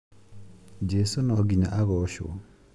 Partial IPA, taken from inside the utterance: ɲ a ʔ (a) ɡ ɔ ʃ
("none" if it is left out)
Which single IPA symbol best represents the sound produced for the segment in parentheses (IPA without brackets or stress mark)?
a